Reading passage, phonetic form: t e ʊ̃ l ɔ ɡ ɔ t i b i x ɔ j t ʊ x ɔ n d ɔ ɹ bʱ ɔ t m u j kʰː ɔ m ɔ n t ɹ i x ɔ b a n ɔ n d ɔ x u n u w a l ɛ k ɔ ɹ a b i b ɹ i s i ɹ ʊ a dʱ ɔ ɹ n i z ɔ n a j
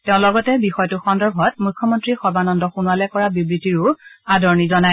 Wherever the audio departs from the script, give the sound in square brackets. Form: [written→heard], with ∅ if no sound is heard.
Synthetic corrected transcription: t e ʊ̃ l ɔ ɡ ɔ t [i→ɛ] b i x ɔ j t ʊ x ɔ n d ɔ ɹ bʱ ɔ t m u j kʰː ɔ m ɔ n t ɹ i x ɔ b a n ɔ n d ɔ x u n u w a l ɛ k ɔ ɹ a b i b ɹ i [s→t] i ɹ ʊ a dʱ ɔ ɹ n i z ɔ n a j